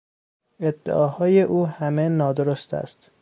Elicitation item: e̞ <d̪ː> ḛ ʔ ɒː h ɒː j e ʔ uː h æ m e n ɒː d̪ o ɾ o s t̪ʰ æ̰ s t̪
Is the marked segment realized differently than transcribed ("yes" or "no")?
no